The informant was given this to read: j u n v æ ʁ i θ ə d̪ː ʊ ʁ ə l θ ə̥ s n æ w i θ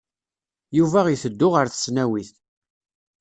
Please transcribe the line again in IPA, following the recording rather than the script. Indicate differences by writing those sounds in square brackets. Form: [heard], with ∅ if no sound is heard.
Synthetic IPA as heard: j u [∅] v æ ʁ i θ ə d̪ː ʊ ʁ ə [ɾ] θ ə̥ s n æ w i θ